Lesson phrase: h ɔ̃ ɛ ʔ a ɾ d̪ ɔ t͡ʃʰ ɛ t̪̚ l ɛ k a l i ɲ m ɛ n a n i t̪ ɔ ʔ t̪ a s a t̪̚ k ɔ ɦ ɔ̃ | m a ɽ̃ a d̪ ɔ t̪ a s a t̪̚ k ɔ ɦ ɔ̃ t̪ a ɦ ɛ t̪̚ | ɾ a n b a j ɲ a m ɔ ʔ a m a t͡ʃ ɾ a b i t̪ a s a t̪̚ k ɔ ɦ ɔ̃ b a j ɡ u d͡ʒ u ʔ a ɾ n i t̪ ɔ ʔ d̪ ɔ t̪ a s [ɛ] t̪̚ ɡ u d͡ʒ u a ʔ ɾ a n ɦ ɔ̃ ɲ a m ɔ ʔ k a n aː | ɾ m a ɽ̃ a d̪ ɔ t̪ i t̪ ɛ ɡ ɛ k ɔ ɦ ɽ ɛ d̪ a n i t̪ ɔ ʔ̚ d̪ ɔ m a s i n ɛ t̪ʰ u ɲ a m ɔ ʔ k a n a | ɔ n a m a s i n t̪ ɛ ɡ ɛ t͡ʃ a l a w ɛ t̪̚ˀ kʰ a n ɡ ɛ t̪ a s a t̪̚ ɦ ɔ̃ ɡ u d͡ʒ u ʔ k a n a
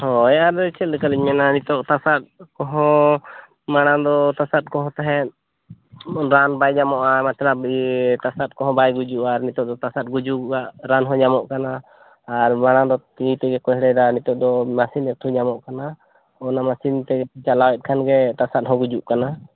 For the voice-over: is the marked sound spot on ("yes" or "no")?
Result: no